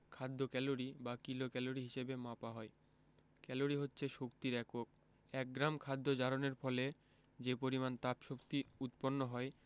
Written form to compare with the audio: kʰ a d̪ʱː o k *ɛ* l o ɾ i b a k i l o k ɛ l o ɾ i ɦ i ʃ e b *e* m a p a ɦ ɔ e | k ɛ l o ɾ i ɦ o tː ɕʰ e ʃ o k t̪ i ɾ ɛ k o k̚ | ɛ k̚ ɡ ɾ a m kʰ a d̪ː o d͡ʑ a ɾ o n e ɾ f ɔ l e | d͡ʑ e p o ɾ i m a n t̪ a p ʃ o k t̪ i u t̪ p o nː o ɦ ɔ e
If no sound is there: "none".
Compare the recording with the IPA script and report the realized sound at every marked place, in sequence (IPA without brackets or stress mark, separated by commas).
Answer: ɛ, e